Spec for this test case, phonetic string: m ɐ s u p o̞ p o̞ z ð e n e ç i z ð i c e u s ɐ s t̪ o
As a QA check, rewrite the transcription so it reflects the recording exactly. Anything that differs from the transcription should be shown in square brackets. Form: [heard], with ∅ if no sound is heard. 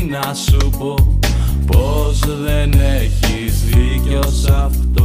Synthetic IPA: [n] ɐ s u p o̞ p o̞ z ð e n e ç i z ð i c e [o] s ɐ [f] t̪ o